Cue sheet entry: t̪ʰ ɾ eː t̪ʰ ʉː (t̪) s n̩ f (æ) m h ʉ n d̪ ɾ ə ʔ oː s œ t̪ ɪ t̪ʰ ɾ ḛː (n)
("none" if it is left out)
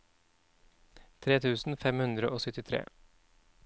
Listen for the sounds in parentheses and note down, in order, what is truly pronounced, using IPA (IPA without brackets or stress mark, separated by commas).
none, ɛ, none